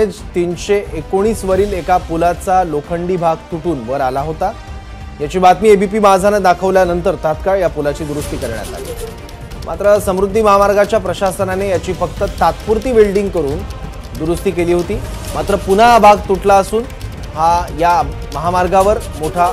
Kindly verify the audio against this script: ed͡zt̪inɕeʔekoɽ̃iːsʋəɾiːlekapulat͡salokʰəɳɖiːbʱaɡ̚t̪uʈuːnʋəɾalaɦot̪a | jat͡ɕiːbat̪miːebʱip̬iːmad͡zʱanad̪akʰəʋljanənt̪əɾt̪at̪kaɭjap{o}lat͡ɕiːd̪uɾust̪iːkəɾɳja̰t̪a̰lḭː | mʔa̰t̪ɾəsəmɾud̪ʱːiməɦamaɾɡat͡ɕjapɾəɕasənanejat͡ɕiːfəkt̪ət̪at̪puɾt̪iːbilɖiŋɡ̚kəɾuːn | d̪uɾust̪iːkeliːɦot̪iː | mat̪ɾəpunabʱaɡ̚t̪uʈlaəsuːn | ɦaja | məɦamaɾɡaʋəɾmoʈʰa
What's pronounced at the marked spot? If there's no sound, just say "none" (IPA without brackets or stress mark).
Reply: u